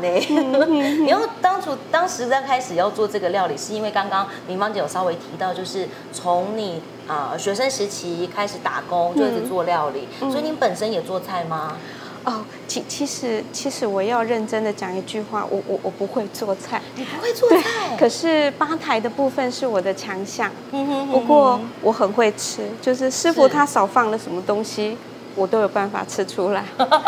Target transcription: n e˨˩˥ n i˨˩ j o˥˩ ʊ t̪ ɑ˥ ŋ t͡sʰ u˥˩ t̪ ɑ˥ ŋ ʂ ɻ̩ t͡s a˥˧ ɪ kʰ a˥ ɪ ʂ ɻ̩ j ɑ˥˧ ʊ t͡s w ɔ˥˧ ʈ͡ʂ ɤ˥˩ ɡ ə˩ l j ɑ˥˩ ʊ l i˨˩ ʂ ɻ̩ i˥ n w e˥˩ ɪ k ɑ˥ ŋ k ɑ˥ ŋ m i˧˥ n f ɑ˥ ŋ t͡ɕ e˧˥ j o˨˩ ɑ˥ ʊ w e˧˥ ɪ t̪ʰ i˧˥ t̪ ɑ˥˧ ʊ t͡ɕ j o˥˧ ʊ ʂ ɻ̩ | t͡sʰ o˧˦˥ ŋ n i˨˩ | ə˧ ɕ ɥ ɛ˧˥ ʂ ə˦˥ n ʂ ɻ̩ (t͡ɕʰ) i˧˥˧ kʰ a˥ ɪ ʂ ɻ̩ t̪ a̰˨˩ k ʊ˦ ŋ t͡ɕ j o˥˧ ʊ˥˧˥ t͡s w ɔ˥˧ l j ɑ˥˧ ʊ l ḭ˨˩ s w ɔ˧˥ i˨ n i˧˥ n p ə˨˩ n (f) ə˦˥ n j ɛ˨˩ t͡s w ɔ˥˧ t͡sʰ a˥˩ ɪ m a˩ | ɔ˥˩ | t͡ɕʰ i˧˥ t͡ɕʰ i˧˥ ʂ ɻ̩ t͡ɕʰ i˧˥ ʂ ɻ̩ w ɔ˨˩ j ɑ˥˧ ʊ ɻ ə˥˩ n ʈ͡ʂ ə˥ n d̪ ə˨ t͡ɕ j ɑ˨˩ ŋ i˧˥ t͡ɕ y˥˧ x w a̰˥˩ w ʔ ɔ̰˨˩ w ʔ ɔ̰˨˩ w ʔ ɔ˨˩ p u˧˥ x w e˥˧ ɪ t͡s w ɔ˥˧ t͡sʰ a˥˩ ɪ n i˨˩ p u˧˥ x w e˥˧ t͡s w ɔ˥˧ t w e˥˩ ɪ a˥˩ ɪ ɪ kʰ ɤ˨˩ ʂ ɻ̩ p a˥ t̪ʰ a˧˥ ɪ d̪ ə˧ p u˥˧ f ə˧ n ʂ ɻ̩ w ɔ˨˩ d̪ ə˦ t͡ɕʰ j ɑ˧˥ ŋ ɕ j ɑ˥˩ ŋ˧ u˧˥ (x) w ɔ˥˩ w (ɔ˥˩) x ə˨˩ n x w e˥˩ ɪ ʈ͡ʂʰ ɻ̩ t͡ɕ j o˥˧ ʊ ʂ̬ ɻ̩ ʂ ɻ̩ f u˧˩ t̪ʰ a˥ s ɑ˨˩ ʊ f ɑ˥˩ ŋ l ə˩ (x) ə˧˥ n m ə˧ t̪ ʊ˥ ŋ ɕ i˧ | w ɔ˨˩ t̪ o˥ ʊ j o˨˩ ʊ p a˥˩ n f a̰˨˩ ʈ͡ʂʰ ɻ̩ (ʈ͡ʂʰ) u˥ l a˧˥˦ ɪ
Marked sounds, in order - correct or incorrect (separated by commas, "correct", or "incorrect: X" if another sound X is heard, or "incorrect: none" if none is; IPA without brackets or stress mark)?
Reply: correct, incorrect: ʂ, incorrect: k, incorrect: ɔ˧˥, incorrect: ʂ, correct